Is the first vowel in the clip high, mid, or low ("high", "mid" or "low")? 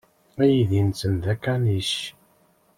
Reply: low